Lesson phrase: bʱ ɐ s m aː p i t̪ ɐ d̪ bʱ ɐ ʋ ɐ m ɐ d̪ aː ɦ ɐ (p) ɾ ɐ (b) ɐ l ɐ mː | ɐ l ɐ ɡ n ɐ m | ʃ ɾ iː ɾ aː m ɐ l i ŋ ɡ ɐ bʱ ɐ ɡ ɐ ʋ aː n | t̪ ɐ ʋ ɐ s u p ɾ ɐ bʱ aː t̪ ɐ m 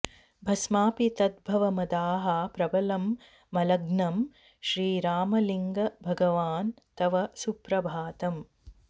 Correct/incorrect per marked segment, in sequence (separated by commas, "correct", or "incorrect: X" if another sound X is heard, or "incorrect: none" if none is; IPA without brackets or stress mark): correct, correct